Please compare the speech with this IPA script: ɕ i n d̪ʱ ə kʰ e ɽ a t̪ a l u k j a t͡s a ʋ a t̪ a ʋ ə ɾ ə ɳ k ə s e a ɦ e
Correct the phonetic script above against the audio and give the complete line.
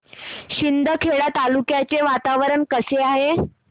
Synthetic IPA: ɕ i n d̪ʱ ə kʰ e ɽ a t̪ a l u k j a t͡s e ʋ a t̪ a ʋ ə ɾ ə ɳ k ə s e a ɦ e

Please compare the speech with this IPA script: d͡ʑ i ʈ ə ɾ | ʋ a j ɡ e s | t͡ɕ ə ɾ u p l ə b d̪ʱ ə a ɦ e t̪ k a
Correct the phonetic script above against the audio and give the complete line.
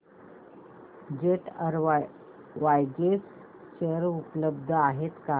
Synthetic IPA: d͡ʑ e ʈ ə ɾ | ʋ a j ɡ e s | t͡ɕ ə ɾ u p l ə b d̪ʱ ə a ɦ e t̪ k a

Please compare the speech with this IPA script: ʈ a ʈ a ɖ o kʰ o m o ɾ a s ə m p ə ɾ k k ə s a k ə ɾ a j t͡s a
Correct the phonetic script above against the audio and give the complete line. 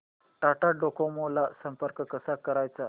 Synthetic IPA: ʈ a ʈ a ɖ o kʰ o m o l a s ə m p ə ɾ k k ə s a k ə ɾ a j t͡s a

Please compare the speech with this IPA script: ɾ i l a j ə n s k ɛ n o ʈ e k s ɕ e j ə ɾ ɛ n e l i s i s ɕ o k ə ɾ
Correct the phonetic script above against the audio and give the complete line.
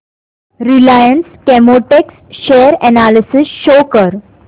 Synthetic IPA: ɾ i l a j ə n s k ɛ m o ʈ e k s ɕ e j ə ɾ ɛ n a l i s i s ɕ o k ə ɾ

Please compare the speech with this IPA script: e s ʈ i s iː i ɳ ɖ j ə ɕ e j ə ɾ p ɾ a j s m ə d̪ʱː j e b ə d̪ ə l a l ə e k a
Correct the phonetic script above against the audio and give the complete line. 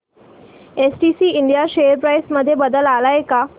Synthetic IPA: e s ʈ i s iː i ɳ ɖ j a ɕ e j ə ɾ p ɾ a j s m ə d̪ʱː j e b ə d̪ ə l a l a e k a

